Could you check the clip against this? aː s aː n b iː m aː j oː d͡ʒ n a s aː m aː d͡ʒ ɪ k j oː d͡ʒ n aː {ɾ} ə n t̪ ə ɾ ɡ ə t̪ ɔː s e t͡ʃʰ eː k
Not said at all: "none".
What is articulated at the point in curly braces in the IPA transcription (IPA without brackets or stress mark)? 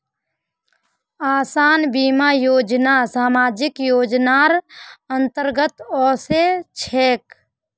ɾ